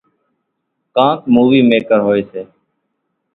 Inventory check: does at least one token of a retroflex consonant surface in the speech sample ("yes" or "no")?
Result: no